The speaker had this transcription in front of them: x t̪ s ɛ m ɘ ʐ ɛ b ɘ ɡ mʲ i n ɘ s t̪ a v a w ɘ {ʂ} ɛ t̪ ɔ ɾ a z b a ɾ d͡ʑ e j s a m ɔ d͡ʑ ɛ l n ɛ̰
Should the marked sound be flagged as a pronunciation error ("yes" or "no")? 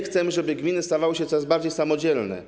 yes